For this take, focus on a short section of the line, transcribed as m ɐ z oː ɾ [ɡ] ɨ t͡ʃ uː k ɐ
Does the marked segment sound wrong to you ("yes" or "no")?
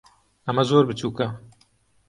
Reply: yes